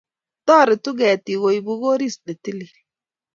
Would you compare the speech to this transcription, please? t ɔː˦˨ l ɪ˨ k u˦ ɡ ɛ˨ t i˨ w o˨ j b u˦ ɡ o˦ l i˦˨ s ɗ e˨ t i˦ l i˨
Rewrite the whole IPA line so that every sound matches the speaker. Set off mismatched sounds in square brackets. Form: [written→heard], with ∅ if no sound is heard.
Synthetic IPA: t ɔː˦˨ [l→ɾ] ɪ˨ [k→t] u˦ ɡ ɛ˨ t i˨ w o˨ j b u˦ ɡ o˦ [l→ɾ] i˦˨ s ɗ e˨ t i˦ l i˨